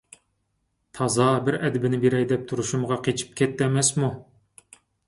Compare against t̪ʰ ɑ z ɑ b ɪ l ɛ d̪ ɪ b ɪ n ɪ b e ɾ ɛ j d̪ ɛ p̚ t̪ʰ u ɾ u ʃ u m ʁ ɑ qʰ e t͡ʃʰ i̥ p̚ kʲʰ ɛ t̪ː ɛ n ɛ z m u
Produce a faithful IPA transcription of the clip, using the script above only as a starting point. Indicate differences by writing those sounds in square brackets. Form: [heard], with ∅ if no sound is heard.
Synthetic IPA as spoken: t̪ʰ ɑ z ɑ b ɪ [ɾ] ɛ d̪ ɪ b ɪ n ɪ b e ɾ ɛ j d̪ ɛ p̚ t̪ʰ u ɾ u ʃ u m ʁ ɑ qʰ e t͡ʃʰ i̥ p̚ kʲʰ ɛ t̪ː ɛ [m] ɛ [s] m u